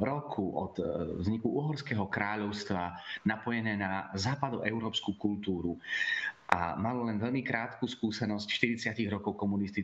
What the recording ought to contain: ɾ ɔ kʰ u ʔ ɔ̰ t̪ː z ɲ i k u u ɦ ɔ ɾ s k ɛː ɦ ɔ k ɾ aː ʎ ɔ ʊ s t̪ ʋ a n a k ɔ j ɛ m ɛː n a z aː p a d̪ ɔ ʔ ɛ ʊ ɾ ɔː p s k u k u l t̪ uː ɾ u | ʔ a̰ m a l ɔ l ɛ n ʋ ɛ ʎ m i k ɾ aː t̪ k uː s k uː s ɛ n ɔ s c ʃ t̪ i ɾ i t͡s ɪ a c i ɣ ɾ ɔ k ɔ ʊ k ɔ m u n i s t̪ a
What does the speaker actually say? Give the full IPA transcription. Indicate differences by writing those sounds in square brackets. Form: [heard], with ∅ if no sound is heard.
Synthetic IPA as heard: ɾ ɔ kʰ u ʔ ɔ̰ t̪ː z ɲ i k u u ɦ ɔ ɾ s k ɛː ɦ ɔ k ɾ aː ʎ ɔ ʊ s t̪ ʋ a n a [p] ɔ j ɛ [n] ɛː n a z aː p a d̪ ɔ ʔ ɛ ʊ ɾ ɔː p s k u k u l t̪ uː ɾ u | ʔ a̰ m a l ɔ l ɛ n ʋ ɛ ʎ m i k ɾ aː t̪ k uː s k uː s ɛ n ɔ s c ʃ t̪ i ɾ i t͡s ɪ a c i ɣ ɾ ɔ k ɔ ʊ k ɔ m u n i s t̪ [i]